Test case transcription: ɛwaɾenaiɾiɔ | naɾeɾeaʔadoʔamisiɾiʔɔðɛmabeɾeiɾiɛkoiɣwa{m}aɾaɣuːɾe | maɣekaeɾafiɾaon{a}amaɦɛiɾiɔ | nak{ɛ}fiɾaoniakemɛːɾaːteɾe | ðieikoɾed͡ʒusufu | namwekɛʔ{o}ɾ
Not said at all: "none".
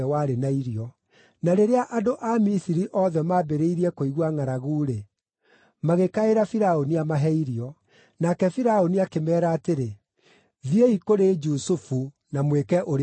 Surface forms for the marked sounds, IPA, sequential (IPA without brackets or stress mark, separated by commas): ŋ, i, ɛ, o